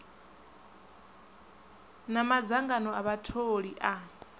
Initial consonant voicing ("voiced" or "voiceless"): voiced